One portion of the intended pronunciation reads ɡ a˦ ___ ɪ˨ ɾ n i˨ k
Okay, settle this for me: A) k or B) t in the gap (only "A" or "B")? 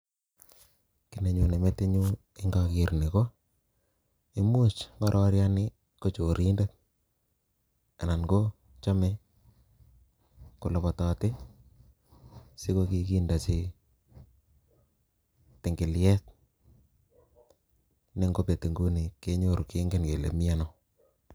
A